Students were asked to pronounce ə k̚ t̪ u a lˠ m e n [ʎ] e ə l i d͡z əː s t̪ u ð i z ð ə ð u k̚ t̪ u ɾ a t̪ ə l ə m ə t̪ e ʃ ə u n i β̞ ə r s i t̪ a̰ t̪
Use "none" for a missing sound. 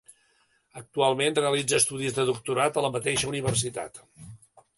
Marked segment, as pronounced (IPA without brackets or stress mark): r